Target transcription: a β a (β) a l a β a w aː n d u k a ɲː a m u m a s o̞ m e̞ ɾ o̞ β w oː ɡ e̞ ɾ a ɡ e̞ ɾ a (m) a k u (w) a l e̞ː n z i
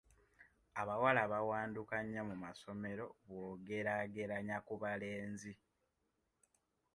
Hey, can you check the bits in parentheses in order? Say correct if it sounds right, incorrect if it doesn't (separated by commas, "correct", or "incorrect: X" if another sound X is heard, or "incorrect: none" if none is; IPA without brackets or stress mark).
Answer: incorrect: w, incorrect: ɲ, incorrect: β